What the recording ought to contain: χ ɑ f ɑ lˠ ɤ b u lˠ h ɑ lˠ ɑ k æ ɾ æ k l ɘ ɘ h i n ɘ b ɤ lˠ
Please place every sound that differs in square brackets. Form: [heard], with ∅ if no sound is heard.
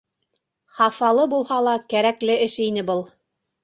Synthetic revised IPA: χ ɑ f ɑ lˠ ɤ b u lˠ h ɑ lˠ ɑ k æ ɾ æ k l ɘ ɘ [ʃ] i n ɘ b ɤ lˠ